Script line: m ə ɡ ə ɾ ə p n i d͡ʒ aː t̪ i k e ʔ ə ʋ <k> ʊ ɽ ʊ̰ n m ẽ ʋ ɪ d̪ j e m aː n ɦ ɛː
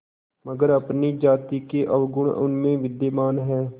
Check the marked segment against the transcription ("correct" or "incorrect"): incorrect